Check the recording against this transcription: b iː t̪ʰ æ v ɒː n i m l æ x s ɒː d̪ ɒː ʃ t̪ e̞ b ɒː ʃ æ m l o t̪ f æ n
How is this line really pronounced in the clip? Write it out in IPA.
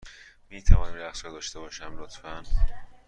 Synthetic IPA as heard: m iː t̪ʰ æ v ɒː n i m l æ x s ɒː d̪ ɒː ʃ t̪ e̞ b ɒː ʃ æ m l o t̪ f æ n